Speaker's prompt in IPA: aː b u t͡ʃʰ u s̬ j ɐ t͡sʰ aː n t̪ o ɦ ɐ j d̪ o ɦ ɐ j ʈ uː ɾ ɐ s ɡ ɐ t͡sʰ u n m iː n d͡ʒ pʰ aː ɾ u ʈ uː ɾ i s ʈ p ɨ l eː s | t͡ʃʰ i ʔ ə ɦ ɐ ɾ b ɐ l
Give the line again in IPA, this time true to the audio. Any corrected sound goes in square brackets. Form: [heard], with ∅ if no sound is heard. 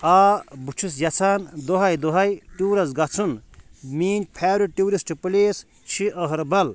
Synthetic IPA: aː b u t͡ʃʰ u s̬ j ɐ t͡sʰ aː n [d̪] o ɦ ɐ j d̪ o ɦ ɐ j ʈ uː ɾ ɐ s ɡ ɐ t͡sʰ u n m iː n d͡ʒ pʰ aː ɾ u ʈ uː ɾ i s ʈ p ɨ l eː s | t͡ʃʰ i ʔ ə ɦ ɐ ɾ b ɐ l